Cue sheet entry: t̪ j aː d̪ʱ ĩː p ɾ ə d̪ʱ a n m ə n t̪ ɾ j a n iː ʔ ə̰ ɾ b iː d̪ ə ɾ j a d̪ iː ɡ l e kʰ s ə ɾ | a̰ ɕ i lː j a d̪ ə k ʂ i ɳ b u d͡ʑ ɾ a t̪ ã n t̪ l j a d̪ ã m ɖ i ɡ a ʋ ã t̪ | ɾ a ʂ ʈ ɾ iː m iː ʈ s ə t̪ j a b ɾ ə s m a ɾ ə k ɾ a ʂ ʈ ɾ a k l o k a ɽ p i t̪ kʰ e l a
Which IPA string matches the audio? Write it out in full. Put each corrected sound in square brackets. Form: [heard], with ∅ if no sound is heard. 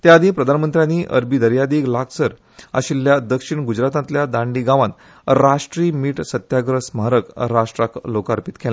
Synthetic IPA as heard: t̪ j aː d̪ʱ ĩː p ɾ ə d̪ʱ a n m ə n t̪ ɾ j a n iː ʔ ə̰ ɾ b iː d̪ ə ɾ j a d̪ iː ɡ l [a] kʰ s ə ɾ | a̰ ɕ i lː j a d̪ ə k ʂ i ɳ [ɡ] u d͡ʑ ɾ a t̪ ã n t̪ l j a d̪ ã [ɳ] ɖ i ɡ a ʋ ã t̪ | ɾ a ʂ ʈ ɾ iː m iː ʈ s ə t̪ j a [ɡ] ɾ ə s m a ɾ ə k ɾ a ʂ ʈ ɾ a k l o k a [ɾ] p i t̪ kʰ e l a